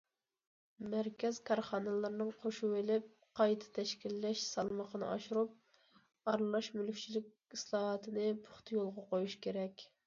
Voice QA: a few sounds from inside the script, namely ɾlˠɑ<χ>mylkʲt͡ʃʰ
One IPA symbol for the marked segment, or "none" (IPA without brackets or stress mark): ʃ